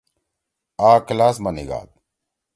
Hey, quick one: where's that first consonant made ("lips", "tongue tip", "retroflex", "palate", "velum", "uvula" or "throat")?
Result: velum